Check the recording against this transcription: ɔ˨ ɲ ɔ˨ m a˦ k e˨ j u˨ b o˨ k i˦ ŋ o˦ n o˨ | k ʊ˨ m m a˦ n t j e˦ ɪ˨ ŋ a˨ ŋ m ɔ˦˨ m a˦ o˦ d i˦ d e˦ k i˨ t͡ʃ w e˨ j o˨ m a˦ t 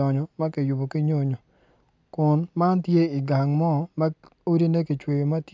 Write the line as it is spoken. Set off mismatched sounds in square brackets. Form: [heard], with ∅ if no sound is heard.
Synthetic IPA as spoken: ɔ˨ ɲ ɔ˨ m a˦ k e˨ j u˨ b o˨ k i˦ [ɲ] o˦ [ɲ] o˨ | k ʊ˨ [n] m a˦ n t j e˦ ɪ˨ [ɡ] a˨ ŋ m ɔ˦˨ m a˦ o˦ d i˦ [n] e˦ k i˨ t͡ʃ w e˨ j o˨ m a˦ t